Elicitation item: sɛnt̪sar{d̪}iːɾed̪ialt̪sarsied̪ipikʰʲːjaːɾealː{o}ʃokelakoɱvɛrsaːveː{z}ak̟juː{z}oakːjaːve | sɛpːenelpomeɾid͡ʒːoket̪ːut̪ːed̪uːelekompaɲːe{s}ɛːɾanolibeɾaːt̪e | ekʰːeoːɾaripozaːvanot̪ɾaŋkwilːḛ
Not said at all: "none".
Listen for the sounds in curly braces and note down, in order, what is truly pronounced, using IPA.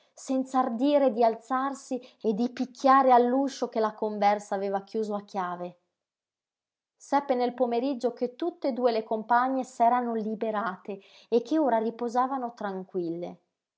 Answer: d̪, u, v, z, s

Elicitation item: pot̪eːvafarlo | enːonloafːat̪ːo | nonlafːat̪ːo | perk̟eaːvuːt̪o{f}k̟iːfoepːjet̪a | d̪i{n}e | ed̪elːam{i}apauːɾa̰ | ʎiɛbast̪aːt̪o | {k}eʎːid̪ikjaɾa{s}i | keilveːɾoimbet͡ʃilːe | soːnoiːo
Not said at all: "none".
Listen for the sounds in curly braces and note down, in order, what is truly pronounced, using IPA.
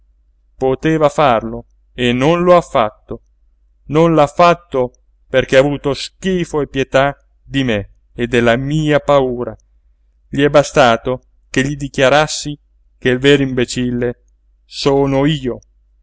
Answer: s, m, iː, k, sː

